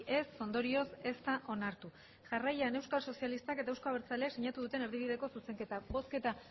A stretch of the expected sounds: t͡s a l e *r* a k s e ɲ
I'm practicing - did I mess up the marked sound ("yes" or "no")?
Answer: yes